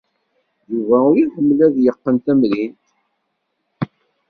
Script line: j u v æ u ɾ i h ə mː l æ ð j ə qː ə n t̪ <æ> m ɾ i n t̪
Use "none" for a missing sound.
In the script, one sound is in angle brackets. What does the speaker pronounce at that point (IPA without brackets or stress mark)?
æ